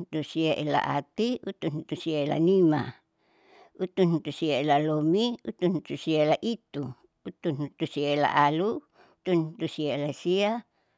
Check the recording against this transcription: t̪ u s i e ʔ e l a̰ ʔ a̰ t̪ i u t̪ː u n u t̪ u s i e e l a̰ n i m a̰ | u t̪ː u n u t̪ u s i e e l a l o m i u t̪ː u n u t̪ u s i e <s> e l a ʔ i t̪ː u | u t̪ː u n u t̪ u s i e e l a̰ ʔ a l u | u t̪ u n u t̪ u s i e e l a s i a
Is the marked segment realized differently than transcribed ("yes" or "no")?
yes